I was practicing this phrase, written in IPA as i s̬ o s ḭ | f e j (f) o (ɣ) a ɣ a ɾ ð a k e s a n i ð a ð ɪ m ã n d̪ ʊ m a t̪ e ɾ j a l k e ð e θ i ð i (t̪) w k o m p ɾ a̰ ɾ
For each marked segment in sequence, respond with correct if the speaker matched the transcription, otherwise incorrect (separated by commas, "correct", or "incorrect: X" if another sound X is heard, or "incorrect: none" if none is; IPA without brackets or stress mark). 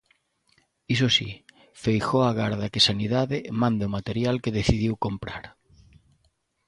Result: incorrect: x, incorrect: none, incorrect: none